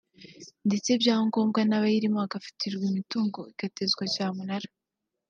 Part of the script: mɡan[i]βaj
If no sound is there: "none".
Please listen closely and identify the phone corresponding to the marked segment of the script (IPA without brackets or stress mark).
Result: a